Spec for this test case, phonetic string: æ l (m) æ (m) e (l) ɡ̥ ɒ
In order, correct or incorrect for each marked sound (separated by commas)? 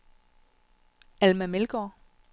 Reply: correct, correct, correct